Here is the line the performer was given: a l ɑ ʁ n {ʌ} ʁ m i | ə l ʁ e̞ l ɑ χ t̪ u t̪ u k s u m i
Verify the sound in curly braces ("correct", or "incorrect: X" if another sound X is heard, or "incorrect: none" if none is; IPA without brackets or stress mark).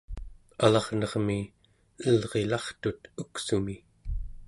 correct